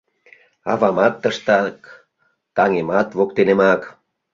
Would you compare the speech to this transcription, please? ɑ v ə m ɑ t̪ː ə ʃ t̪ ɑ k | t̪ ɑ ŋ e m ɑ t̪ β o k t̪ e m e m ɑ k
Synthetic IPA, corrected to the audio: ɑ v ɑ m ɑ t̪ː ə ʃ t̪ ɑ k | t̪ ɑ ŋ e m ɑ t̪ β o k t̪ e n e m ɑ k

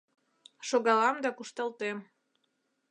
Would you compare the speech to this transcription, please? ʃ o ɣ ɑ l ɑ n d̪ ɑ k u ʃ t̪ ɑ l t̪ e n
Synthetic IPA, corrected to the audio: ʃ o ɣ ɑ l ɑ m d̪ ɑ k u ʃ t̪ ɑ l t̪ e m

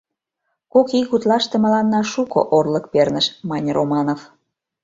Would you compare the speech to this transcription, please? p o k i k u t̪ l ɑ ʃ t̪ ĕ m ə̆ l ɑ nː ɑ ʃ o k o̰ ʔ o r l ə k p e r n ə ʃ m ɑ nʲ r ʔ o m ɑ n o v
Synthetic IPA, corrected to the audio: k o k i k u t̪ l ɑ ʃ t̪ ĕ m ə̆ l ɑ nː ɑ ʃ u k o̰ ʔ o r l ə k p e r n ə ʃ m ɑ nʲ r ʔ o m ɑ n o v

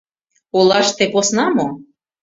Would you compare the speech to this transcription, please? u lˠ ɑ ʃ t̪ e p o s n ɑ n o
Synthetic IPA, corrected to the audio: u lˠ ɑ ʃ t̪ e p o s n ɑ m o

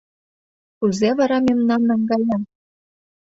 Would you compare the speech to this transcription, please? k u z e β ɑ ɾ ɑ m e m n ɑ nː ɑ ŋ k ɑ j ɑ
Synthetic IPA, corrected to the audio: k u z e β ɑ ɾ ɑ m e m n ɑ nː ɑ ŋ ɡ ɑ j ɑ

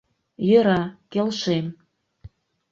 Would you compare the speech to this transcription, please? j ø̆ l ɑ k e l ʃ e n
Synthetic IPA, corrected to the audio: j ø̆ ɾ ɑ k e l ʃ e m

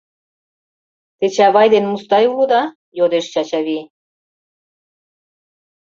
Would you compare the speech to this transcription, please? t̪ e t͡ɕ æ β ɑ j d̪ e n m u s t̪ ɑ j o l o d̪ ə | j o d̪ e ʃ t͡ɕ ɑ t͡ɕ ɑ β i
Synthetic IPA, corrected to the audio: t̪ e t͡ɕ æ β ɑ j d̪ e n m u s t̪ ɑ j u l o d̪ ɑ | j o d̪ e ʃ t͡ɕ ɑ t͡ɕ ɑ β i

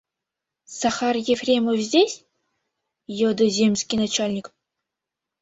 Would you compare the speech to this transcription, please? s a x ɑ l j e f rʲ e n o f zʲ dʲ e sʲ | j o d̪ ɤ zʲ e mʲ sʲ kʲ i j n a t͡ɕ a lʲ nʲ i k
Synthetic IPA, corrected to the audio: s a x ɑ r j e f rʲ e m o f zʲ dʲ e sʲ | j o d̪ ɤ zʲ e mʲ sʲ kʲ i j n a t͡ɕ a lʲ nʲ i k

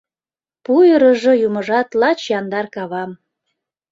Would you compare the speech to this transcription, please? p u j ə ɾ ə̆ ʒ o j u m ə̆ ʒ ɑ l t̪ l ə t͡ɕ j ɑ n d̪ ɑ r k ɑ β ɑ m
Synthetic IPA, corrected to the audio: p u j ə ɾ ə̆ ʒ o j u m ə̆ ʒ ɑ t̪ l ɑ t͡ɕ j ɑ n d̪ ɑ r k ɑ β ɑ m

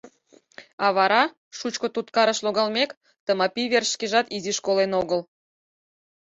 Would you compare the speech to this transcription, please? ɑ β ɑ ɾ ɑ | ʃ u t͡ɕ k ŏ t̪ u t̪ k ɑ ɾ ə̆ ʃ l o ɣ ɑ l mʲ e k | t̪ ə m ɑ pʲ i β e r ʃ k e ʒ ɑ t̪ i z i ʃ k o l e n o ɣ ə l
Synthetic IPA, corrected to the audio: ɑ β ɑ ɾ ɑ | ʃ u t͡ɕ k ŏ t̪ u t̪ k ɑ ɾ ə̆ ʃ l o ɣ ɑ l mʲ e k | t̪ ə m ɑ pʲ i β e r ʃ k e ʒ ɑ t̪ i z i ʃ k o l e n o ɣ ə l

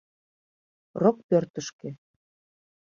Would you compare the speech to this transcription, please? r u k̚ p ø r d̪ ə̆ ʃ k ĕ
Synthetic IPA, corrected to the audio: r o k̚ p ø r t̪ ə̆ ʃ k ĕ

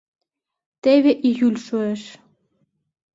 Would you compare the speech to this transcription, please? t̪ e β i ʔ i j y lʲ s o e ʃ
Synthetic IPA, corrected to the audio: t̪ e β e ʔ i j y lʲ ʃ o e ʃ

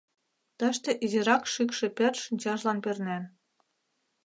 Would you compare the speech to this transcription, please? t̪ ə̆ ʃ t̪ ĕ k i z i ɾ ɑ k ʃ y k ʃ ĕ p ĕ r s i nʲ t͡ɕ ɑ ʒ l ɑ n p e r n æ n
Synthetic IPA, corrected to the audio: t̪ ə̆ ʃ t̪ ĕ ʔ i z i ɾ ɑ k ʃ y k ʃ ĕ p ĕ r ʃ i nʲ t͡ɕ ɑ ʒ l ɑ n p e r n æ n

